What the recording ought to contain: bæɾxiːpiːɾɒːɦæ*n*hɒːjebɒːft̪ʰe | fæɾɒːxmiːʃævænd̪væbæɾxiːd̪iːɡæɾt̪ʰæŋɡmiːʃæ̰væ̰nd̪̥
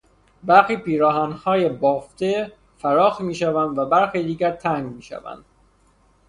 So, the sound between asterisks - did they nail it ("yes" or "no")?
yes